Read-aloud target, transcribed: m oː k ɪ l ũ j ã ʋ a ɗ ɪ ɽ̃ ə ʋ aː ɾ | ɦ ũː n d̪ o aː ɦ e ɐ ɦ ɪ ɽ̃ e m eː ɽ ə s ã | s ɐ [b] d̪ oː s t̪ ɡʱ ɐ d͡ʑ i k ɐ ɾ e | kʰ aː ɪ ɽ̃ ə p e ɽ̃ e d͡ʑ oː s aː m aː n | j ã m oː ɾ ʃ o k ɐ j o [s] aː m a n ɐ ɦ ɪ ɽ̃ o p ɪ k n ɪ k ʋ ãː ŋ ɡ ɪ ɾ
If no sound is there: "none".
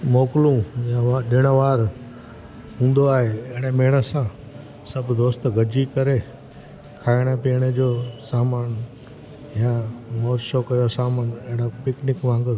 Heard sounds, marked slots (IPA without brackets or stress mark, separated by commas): b, s